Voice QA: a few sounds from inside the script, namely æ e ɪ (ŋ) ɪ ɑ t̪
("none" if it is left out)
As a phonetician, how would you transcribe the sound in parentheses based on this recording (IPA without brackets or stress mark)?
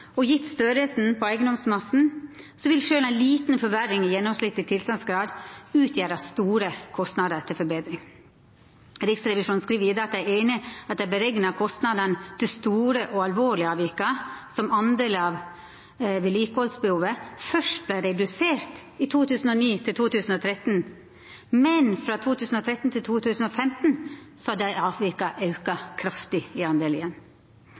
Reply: n